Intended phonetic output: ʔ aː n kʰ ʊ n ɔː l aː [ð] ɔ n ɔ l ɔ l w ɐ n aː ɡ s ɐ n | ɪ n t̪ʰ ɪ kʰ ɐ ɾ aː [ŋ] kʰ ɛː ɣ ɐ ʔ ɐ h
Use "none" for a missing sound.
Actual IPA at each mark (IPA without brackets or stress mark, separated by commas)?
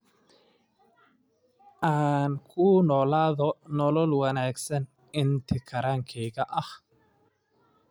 ð, ŋ